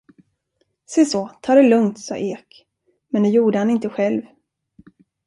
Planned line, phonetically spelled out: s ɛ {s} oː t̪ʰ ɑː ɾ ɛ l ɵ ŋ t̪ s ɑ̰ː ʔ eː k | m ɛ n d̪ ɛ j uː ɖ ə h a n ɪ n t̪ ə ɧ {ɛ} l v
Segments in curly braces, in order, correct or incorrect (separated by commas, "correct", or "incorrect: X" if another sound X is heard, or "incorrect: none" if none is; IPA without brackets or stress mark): correct, correct